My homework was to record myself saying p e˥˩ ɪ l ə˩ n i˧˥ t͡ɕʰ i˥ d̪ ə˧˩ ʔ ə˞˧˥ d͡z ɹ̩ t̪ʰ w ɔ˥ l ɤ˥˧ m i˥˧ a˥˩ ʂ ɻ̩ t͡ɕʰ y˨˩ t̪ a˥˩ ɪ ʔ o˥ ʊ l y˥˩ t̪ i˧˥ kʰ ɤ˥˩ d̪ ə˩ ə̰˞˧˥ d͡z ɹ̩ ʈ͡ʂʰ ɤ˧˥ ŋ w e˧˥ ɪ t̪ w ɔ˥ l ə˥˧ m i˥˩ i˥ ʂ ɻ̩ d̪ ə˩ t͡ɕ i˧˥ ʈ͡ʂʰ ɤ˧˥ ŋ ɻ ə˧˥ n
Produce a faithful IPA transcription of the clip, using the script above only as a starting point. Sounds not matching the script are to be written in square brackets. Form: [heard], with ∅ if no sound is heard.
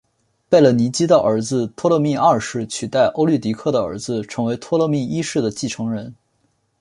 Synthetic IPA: p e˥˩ ɪ l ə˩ n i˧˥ [t͡ɕ] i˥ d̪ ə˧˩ ʔ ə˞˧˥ d͡z ɹ̩ t̪ʰ w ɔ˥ l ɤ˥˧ m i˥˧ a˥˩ ʂ ɻ̩ t͡ɕʰ y˨˩ t̪ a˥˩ ɪ ʔ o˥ ʊ l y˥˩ t̪ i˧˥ kʰ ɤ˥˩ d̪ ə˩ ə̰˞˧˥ d͡z ɹ̩ ʈ͡ʂʰ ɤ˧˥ ŋ w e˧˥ ɪ [t̪ʰ] w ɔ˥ l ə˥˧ m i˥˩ i˥ ʂ ɻ̩ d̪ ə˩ t͡ɕ [i˥˩] ʈ͡ʂʰ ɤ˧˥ ŋ ɻ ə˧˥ n